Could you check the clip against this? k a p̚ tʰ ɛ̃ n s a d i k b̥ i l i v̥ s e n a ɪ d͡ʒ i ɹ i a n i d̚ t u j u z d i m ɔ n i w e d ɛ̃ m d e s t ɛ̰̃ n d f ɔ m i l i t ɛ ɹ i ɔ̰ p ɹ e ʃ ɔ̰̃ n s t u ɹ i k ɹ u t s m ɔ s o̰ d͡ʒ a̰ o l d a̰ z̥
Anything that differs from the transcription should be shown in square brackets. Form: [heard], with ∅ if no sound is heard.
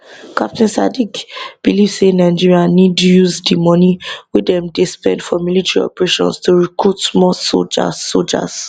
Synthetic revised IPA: k a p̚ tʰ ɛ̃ n s a d i k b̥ i l i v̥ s e n a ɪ d͡ʒ i ɹ i a n i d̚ t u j u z d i m ɔ n i w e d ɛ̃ m d e s [p] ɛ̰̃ n d f ɔ m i l i t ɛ ɹ i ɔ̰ p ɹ e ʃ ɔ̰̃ n s t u ɹ i k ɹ u t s m ɔ s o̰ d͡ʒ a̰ o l [d͡ʒ] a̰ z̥

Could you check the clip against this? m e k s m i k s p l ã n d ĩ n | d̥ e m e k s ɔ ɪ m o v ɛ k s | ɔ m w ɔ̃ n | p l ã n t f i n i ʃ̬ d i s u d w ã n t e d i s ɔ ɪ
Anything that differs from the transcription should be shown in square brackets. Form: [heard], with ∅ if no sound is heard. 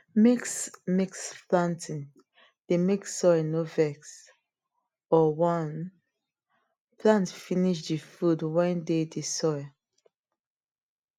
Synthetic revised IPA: m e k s m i k s p l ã n [t] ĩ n | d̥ e m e k s ɔ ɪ [n] o v ɛ k s | ɔ [∅] w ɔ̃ n | p l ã n t f i n i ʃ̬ d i [f] u d w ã n [d] e d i s ɔ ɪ

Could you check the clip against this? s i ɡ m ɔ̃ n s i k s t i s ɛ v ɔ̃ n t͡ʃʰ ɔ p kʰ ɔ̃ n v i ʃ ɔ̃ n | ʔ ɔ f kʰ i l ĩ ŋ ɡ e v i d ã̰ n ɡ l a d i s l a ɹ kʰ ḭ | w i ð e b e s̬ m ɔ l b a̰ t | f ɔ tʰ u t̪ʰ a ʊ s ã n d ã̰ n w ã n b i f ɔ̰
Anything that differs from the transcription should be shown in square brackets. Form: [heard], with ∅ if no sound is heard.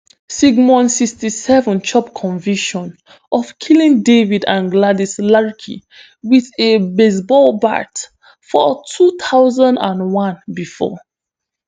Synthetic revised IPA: s i ɡ m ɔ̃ n s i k s t i s ɛ v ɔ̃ n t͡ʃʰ ɔ p kʰ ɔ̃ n v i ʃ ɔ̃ n | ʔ ɔ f kʰ i l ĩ ŋ [d] e v i d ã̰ n ɡ l a d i s l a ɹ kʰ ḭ | w i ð e b e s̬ [b] ɔ l b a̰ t | f ɔ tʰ u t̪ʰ a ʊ [z] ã n d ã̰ n w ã n b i f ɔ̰

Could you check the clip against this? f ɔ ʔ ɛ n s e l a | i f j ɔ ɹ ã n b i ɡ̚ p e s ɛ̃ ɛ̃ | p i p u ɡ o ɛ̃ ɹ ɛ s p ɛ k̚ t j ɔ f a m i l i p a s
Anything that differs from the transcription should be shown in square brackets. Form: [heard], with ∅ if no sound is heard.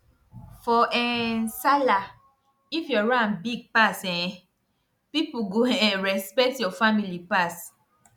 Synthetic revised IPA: f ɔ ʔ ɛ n s [a] l a | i f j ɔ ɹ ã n b i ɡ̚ p [a] s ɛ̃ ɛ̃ | p i p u ɡ o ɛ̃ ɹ ɛ s p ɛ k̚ t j ɔ f a m i l i p a s

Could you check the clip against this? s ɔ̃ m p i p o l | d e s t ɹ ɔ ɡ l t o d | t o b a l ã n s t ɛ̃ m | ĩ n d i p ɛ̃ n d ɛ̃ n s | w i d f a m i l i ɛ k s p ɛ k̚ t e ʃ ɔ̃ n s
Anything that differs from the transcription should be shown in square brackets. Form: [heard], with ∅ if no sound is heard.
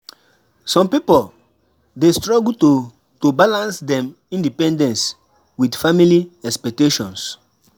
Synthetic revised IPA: s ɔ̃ m p i p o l | d e s t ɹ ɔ ɡ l t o [∅] | t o b a l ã n s [d] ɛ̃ m | ĩ n d i p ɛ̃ n d ɛ̃ n s | w i d f a m i l i ɛ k s p ɛ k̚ t e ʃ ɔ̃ n s

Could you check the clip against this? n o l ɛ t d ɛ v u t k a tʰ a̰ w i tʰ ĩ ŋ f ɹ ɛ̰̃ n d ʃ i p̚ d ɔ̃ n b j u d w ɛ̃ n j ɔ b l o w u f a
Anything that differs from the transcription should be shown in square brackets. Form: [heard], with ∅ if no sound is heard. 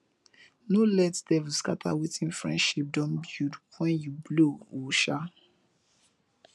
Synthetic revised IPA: n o l ɛ t d ɛ v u [s] k a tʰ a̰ w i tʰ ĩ [n] f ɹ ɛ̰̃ n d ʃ i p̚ d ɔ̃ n b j u d w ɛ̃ n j [u] b l o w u [ʃ] a

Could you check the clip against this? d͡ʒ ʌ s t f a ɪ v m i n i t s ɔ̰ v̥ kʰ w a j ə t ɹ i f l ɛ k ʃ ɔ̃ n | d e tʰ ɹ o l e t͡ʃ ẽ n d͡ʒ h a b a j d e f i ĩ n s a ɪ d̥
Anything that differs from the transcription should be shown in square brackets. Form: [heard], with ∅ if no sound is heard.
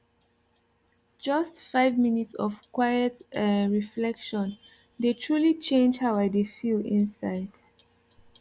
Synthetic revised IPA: d͡ʒ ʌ s t f a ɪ v m i n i t s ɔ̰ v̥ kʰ w a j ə t ɹ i f l ɛ k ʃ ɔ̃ n | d e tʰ ɹ [u] l [i] t͡ʃ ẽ n d͡ʒ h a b a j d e f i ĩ n s a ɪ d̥

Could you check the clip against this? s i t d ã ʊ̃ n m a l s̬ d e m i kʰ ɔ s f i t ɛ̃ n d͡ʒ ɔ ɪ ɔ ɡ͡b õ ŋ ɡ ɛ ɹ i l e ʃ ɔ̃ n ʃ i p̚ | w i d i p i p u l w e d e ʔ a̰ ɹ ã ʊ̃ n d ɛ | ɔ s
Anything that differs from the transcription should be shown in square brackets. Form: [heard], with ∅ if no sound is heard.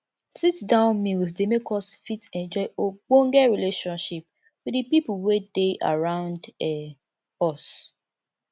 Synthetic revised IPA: s i t d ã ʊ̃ n m [i] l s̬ d e m [e] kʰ ɔ s f i t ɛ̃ n d͡ʒ ɔ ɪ [o] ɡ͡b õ ŋ ɡ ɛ ɹ i l e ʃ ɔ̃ n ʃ i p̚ | w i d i p i p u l w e d e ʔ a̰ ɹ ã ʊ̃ n d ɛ | ɔ s

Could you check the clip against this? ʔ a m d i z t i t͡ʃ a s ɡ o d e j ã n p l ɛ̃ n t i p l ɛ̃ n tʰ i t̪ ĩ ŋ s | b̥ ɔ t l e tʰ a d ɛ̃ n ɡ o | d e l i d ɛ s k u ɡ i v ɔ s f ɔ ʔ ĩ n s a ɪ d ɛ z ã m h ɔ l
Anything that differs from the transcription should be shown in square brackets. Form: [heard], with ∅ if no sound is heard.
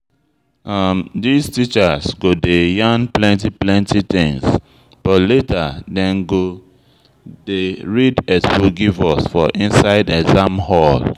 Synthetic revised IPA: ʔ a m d i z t i t͡ʃ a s ɡ o d e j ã n p l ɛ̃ n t i p l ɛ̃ n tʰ i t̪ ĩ ŋ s | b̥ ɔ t l e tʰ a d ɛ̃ n ɡ o | d e [ɹ] i d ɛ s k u ɡ i v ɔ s f ɔ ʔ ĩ n s a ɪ d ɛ z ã m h ɔ l

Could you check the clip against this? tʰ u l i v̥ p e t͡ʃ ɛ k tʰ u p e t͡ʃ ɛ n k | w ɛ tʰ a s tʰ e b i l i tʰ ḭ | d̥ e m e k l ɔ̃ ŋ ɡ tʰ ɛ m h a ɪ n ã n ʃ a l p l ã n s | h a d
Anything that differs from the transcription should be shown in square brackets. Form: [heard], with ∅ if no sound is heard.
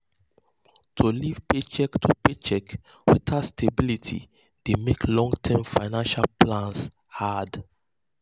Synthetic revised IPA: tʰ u l i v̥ p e t͡ʃ ɛ k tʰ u p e t͡ʃ ɛ [∅] k | w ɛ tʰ a s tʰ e b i l i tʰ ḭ | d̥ e m e k l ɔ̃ ŋ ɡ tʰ ɛ m [f] a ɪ n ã n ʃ a l p l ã n s | h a d

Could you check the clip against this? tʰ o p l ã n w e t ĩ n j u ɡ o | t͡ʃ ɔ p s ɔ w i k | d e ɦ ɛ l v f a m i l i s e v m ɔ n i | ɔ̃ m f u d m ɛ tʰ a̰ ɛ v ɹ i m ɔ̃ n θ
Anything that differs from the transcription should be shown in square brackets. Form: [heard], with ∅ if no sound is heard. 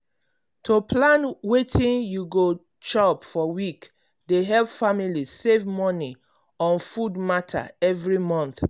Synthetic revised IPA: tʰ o p l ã n w e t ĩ n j u ɡ o | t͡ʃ ɔ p [f] ɔ w i k | d e ɦ ɛ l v f a m i l i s e v m ɔ n i | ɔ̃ [n] f u d m [a] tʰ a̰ ɛ v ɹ i m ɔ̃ n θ

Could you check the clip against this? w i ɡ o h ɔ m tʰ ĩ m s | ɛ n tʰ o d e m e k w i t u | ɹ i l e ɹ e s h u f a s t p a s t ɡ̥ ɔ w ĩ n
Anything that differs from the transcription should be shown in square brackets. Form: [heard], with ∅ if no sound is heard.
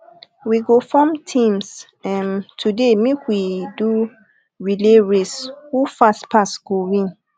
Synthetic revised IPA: w i ɡ o [f] ɔ m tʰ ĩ m s | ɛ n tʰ [u] d e m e k w i [d] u | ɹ i l e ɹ e s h u f a s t p a s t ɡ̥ [o] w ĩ n

